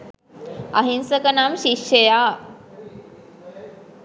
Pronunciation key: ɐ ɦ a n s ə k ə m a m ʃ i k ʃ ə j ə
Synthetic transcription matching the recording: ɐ ɦ i n s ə k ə n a m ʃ i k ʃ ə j a